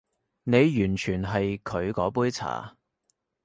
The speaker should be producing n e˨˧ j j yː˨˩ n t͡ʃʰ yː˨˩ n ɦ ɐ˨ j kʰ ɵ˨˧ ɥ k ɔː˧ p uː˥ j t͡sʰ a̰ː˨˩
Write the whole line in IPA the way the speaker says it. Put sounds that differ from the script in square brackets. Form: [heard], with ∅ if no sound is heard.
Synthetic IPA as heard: n e˨˧ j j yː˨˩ n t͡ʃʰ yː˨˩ n ɦ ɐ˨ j kʰ ɵ˨˧ ɥ k [ɔː˨˥] p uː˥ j t͡sʰ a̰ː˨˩